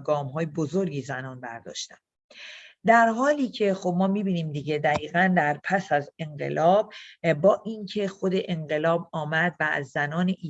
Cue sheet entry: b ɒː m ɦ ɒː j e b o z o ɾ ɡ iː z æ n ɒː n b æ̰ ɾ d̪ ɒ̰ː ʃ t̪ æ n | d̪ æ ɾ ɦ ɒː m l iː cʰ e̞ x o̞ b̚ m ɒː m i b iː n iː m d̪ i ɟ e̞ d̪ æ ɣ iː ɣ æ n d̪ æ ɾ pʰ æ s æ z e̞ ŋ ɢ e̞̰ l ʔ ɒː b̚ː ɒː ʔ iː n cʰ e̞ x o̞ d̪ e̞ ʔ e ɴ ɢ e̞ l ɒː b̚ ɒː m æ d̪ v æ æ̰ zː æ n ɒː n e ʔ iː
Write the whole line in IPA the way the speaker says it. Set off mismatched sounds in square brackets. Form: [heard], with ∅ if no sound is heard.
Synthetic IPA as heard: [ɡ] ɒː m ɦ ɒː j e b o z o ɾ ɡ iː z æ n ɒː n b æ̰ ɾ d̪ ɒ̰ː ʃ t̪ æ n | d̪ æ ɾ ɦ ɒː [∅] l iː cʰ e̞ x o̞ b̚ m ɒː m i b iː n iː m d̪ i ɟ e̞ d̪ æ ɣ iː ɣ æ n d̪ æ ɾ pʰ æ s æ z e̞ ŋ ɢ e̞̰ l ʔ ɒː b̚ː ɒː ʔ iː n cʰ e̞ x o̞ d̪ e̞ ʔ e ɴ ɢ e̞ l ɒː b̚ ɒː m æ d̪ v æ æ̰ zː æ n ɒː n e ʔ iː